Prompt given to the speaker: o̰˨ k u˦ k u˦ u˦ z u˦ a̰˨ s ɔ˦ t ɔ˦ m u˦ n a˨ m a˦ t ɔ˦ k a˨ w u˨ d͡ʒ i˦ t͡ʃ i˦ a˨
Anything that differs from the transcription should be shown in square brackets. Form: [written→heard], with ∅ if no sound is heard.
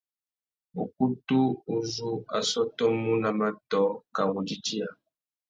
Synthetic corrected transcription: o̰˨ k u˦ [k→t] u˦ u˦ z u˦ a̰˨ s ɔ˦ t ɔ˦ m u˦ n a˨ m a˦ t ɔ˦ k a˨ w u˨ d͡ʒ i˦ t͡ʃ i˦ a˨